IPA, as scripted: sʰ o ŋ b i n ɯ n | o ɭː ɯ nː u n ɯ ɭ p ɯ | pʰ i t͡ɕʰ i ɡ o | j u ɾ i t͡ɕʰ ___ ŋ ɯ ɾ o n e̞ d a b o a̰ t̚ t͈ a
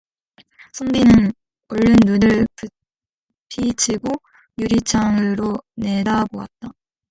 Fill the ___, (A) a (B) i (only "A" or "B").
A